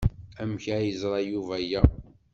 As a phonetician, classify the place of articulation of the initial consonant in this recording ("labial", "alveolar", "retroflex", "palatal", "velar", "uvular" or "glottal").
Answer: labial